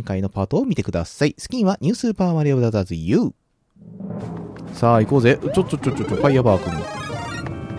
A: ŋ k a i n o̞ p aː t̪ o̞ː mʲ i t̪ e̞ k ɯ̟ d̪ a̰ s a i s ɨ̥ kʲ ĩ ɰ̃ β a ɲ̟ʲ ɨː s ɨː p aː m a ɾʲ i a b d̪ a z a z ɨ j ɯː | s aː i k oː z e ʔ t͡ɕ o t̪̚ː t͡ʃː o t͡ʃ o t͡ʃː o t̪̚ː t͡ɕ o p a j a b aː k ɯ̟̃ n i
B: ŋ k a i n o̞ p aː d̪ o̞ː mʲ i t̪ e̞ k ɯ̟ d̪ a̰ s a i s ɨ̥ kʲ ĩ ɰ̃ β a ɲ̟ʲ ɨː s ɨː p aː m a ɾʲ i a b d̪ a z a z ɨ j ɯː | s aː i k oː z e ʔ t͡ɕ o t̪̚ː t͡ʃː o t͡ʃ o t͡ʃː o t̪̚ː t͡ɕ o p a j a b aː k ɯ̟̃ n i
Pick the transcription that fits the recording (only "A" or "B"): A